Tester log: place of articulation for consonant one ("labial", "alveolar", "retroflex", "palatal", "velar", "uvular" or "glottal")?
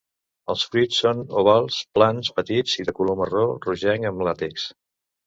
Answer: alveolar